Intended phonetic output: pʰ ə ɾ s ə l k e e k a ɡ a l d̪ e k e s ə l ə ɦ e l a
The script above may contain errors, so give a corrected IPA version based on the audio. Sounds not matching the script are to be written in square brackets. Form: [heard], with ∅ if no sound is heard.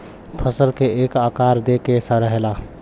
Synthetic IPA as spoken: pʰ ə [∅] s ə l k e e k a [k] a [ɾ] d̪ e k e s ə [ɾ] ə ɦ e l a